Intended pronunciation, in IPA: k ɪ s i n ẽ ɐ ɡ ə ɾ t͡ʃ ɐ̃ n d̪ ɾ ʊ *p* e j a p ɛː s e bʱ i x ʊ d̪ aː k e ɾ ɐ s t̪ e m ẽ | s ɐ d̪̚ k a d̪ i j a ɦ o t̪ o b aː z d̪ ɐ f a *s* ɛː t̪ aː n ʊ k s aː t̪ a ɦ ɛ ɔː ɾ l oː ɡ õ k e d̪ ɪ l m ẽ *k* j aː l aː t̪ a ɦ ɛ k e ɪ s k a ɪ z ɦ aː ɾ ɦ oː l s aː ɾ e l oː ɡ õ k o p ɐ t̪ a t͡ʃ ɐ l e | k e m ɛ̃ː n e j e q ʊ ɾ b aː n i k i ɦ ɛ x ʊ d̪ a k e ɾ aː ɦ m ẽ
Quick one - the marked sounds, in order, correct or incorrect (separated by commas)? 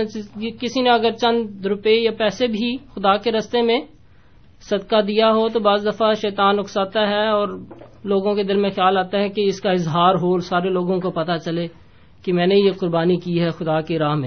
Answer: correct, incorrect, incorrect